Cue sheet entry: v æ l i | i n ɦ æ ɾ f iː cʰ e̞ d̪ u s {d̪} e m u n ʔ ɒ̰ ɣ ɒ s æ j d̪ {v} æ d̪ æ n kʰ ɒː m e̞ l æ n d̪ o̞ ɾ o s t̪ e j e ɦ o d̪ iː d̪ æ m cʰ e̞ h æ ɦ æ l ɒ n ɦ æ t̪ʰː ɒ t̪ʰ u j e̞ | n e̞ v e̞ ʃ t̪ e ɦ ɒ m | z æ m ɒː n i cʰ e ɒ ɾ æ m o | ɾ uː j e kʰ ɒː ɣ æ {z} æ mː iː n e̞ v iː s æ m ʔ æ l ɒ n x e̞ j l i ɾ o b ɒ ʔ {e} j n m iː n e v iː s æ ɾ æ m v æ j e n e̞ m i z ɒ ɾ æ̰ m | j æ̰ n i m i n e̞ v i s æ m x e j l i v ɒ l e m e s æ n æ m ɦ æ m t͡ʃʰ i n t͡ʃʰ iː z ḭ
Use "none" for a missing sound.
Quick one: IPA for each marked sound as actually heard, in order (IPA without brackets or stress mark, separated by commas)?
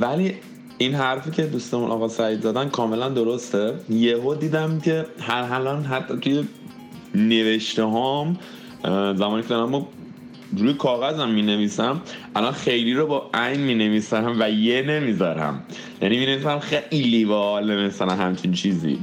t̪, z, z, æ